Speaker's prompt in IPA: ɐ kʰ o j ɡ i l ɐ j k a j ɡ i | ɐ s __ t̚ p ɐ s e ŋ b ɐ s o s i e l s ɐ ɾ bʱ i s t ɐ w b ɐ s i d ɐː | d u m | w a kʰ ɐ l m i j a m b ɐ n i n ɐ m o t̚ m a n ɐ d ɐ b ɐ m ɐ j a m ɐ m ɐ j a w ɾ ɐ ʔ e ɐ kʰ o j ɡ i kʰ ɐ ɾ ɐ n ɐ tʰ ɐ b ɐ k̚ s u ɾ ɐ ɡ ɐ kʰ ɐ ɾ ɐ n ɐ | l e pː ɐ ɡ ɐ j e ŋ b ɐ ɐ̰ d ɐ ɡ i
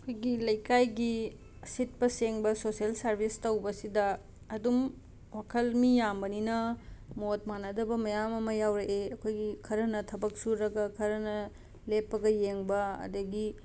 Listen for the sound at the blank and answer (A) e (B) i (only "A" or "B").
B